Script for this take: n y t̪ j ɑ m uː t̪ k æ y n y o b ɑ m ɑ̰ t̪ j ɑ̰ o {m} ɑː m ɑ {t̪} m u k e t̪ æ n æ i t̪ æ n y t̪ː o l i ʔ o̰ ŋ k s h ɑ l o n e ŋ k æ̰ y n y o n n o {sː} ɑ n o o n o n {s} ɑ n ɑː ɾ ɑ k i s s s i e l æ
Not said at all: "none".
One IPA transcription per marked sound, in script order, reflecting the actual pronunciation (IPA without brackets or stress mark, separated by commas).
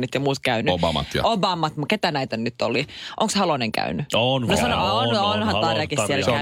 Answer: b, t̪, s, h